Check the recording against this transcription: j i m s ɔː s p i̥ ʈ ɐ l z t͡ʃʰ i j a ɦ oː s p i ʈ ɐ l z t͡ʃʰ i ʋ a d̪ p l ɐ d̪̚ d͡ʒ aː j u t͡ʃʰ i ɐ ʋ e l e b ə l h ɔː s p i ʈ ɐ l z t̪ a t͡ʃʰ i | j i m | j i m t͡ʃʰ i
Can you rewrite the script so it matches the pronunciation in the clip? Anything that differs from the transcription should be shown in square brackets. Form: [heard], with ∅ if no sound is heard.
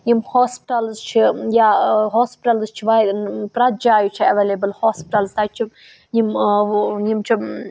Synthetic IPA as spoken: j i m [h] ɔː s p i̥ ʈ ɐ l z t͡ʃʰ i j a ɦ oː s p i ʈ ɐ l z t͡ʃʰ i ʋ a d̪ p [ɾ] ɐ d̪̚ d͡ʒ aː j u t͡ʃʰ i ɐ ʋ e l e b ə l h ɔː s p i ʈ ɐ l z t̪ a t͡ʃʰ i | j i m | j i m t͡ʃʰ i